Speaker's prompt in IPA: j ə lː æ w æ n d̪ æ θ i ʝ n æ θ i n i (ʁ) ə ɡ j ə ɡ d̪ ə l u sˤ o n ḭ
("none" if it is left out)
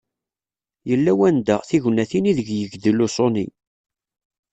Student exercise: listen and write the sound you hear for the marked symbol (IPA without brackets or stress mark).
ð